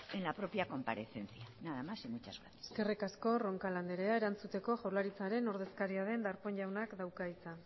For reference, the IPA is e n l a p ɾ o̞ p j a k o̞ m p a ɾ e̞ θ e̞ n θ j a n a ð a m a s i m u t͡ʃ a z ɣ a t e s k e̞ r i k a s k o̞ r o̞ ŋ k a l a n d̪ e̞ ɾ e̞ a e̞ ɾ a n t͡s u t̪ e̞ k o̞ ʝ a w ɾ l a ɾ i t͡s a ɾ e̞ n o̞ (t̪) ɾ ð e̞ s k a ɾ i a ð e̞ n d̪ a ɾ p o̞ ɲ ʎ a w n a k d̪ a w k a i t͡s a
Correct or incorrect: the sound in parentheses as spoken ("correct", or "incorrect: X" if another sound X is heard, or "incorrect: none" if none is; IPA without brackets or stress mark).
incorrect: none